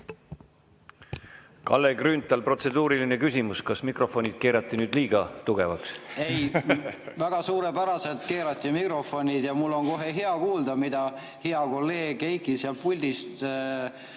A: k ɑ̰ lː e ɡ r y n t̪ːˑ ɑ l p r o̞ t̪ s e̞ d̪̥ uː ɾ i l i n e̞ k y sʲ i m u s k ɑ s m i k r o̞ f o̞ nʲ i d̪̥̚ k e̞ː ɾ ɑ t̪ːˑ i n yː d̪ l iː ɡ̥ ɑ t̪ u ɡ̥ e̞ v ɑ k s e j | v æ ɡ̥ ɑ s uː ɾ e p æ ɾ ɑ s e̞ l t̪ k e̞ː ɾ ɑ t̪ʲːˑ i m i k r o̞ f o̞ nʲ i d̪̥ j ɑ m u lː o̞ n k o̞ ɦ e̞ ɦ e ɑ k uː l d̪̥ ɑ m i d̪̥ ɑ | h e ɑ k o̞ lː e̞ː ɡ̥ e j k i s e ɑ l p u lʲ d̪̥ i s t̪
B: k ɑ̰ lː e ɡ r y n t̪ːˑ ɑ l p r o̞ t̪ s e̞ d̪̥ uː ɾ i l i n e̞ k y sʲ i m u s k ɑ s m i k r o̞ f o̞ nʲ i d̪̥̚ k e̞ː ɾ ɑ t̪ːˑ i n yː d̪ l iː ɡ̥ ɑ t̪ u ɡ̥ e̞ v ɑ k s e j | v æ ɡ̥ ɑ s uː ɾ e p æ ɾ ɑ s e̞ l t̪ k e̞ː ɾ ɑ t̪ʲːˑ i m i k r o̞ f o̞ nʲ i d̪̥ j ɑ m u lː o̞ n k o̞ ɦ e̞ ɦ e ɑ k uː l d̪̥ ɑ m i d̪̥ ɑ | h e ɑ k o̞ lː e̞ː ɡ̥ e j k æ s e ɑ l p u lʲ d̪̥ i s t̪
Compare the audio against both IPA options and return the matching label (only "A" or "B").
A